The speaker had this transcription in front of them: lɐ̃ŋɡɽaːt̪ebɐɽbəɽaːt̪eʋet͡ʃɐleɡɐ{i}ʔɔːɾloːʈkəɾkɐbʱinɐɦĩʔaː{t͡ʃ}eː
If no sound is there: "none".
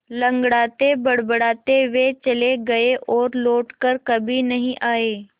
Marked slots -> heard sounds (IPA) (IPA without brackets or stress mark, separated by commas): e, none